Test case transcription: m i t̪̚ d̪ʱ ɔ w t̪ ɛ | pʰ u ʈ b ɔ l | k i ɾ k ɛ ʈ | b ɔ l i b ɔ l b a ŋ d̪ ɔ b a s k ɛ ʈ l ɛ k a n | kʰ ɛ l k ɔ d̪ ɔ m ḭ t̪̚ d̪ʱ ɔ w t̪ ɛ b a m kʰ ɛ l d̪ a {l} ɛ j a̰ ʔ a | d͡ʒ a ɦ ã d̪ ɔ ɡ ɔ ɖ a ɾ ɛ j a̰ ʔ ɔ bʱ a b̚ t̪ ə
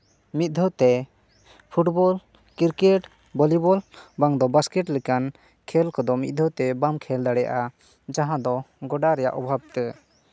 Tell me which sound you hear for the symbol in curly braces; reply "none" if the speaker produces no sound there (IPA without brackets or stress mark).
ɽ